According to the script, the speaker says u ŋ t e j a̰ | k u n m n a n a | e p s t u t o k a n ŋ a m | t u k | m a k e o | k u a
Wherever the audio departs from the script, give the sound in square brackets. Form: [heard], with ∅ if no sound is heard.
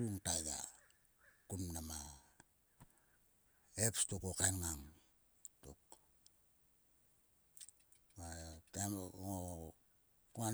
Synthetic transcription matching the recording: u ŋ t [a] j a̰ | k u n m n a [m] a | e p s t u [k] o k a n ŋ a [ŋ] | t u k | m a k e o | k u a